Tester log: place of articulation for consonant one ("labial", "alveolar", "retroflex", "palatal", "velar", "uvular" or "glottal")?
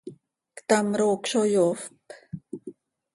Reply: velar